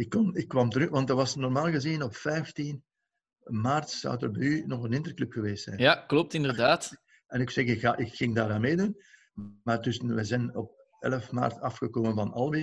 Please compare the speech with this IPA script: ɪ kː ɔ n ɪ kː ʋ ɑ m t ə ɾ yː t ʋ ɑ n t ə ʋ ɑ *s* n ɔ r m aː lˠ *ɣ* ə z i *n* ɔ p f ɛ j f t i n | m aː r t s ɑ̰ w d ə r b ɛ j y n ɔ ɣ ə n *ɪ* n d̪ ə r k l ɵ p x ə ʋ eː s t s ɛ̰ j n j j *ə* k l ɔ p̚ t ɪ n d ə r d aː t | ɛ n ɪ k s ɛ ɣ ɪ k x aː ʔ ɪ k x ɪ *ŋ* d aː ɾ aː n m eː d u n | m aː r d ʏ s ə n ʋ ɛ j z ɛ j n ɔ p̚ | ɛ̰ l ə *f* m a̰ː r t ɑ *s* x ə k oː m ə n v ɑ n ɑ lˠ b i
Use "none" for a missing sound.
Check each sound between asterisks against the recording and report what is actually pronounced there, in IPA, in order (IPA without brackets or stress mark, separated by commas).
s, ɣ, n, ɪ, a, ŋ, f, f